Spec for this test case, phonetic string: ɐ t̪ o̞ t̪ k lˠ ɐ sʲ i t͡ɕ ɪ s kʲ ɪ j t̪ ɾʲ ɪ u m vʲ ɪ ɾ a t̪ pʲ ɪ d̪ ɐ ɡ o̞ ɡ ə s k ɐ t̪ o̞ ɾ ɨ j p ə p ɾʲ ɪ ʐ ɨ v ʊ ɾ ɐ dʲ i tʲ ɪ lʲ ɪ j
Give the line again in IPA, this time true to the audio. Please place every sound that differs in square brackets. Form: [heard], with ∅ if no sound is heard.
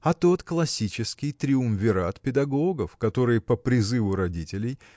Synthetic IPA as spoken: ɐ t̪ o̞ t̪ k lˠ ɐ sʲ i t͡ɕ ɪ s kʲ ɪ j t̪ ɾʲ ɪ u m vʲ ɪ ɾ a t̪ pʲ ɪ d̪ ɐ ɡ o̞ ɡ ə [f] k ɐ t̪ o̞ ɾ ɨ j p ə p ɾʲ ɪ [z] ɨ v ʊ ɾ ɐ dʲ i tʲ ɪ lʲ ɪ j